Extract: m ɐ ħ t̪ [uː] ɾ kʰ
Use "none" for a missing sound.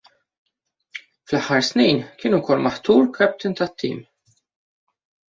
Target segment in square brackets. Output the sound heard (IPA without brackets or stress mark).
uː